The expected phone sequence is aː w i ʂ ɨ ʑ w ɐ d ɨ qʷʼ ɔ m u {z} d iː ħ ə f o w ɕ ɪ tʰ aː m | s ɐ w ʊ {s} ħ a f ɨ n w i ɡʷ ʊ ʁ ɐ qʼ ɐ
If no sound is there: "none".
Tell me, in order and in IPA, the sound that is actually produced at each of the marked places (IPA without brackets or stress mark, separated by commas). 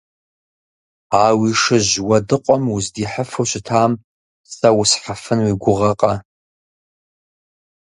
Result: z, s